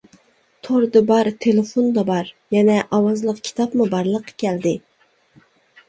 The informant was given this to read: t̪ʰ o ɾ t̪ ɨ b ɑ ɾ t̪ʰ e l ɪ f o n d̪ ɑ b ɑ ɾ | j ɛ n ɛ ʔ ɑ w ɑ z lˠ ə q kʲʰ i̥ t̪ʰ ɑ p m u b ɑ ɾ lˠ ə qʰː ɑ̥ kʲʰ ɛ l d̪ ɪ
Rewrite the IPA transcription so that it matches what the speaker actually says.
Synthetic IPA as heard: t̪ʰ o ɾ d̪ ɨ b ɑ ɾ t̪ʰ e l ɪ f o n d̪ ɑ b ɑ ɾ | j ɛ n ɛ ʔ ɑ w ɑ z lˠ ə q kʲʰ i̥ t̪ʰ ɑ p m u b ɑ ɾ lˠ ə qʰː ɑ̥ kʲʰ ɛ l d̪ ɪ